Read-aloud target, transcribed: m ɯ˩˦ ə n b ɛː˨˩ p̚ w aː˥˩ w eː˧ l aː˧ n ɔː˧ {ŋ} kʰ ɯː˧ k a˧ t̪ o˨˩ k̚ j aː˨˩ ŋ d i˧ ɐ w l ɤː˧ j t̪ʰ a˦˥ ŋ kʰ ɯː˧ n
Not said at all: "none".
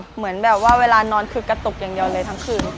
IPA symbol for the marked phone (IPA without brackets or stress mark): n